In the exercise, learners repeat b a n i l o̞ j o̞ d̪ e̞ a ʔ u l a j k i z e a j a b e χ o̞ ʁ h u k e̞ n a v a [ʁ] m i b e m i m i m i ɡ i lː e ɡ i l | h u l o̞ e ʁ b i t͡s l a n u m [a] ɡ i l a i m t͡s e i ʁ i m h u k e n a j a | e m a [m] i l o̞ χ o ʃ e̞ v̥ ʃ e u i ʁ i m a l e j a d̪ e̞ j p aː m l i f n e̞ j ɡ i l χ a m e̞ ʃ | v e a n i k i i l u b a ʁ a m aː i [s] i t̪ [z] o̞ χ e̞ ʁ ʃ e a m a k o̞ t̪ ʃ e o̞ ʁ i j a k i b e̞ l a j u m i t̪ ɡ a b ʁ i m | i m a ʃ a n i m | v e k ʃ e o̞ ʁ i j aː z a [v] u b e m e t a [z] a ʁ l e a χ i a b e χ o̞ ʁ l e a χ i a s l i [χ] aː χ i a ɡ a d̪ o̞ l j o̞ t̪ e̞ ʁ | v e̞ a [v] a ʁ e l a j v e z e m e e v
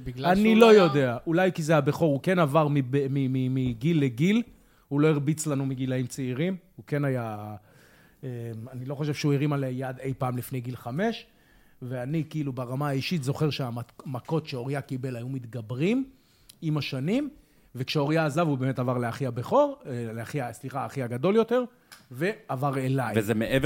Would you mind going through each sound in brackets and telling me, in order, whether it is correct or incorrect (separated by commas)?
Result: correct, incorrect, incorrect, incorrect, correct, correct, incorrect, correct, correct